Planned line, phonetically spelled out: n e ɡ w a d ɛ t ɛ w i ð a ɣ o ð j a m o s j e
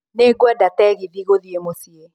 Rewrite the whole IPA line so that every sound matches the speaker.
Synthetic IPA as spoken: n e ɡ w ɛ d a t ɛ ɣ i ð i ɣ o ð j e m o s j e